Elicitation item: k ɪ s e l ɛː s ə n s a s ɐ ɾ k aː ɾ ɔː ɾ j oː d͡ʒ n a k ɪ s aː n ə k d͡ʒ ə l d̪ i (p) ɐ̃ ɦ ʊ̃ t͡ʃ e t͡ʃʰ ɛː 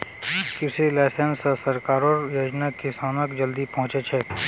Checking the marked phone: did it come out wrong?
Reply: no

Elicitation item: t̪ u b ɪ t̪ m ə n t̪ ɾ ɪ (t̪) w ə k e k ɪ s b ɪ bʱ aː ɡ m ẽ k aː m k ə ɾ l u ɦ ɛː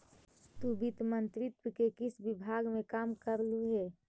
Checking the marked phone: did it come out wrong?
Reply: no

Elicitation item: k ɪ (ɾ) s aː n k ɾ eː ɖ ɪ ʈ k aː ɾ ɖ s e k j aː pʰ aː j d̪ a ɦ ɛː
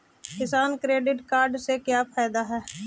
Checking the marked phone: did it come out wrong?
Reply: yes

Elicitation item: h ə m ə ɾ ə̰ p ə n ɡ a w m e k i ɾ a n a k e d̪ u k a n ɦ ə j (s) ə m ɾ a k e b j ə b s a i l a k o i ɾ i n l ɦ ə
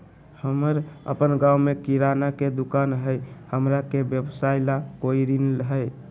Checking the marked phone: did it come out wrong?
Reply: yes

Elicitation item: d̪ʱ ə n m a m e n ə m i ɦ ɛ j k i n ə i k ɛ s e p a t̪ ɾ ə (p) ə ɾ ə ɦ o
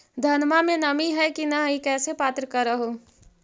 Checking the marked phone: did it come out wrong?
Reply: yes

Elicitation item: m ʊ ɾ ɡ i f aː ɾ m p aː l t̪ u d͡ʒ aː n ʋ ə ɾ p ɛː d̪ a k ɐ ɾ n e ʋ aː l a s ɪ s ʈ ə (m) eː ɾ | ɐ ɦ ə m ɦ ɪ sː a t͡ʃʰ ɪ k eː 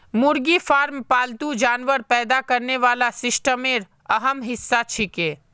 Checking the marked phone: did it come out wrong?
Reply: no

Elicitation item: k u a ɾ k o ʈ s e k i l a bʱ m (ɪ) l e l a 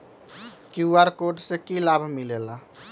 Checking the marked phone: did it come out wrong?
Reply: yes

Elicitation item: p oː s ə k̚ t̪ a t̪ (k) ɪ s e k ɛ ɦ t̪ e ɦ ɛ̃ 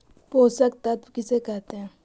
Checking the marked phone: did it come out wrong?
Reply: no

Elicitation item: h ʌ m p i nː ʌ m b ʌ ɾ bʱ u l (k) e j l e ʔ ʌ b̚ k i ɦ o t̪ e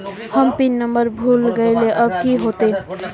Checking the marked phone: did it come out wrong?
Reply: yes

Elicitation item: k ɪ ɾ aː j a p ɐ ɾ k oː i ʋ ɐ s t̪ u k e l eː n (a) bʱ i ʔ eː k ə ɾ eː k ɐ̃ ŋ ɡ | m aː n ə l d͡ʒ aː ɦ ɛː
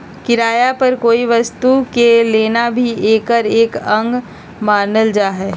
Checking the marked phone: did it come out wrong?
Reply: no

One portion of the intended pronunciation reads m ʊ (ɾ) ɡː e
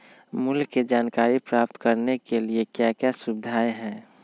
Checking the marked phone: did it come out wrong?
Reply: yes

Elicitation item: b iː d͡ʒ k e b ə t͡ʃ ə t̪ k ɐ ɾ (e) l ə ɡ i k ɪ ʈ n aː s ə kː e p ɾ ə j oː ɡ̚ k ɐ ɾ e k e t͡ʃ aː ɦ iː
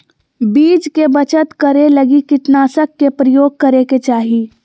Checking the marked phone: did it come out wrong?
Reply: no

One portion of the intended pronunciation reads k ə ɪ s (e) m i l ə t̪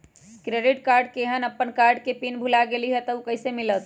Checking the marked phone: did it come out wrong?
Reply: no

